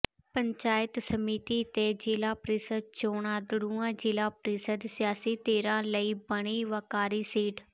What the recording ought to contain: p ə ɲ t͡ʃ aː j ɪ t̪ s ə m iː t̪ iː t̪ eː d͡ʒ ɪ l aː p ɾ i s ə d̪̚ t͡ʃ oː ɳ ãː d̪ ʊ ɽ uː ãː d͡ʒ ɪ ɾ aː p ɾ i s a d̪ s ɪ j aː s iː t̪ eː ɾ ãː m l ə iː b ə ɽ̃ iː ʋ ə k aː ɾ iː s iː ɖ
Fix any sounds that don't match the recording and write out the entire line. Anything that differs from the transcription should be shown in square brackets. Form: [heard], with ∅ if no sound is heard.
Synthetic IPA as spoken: p ə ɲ t͡ʃ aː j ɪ t̪ s ə m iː t̪ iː t̪ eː d͡ʒ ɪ l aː p ɾ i s ə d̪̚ t͡ʃ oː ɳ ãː d̪ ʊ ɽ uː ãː d͡ʒ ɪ [l] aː p ɾ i s [ə] d̪ s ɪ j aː s iː t̪ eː ɾ ãː [∅] l ə iː b ə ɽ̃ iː ʋ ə k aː ɾ iː s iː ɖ